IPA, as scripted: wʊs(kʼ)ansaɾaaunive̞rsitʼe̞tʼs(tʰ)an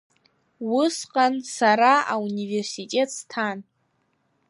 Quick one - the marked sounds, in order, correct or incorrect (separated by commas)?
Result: incorrect, correct